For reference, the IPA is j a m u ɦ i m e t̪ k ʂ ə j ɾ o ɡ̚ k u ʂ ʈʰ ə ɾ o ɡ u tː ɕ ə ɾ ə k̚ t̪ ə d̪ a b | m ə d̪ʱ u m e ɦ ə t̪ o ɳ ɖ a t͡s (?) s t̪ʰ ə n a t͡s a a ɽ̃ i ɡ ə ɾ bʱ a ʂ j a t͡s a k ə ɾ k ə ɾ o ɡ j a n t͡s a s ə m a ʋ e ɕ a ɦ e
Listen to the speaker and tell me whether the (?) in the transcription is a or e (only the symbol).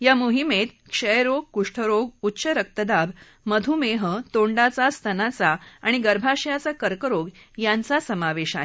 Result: a